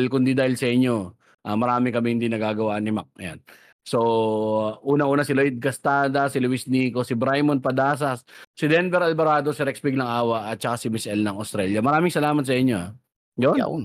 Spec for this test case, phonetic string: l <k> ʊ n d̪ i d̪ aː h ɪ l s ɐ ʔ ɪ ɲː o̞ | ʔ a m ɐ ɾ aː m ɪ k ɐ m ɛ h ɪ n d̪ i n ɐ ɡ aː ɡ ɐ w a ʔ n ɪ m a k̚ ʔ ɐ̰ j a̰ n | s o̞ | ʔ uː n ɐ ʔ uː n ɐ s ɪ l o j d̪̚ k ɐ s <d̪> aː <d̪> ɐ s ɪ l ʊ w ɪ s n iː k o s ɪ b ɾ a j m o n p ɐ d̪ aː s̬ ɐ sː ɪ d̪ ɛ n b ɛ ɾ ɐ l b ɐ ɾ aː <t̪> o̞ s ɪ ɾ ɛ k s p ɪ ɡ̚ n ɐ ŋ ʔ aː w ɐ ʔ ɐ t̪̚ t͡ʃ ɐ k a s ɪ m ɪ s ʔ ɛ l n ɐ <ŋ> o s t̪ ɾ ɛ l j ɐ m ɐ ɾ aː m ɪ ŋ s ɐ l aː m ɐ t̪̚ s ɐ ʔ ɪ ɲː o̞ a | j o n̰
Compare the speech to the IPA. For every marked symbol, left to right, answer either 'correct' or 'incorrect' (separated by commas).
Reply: correct, incorrect, correct, incorrect, correct